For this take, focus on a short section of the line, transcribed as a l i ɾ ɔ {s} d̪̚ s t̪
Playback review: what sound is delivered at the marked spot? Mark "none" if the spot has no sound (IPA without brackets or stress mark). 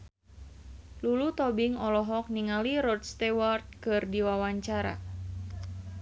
none